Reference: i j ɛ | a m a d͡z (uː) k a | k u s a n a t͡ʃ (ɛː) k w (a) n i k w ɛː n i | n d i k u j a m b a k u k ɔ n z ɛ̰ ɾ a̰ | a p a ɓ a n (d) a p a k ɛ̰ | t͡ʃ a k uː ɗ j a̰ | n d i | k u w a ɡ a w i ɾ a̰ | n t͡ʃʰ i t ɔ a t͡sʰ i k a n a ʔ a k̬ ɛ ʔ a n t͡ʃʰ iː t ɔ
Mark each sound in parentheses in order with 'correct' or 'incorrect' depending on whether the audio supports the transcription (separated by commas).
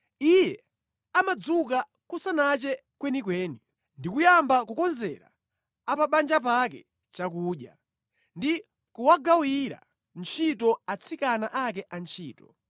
incorrect, incorrect, incorrect, incorrect